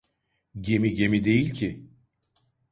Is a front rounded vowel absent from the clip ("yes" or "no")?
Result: yes